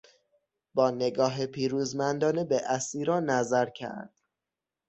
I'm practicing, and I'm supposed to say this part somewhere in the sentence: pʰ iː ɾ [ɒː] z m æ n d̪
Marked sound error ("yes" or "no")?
yes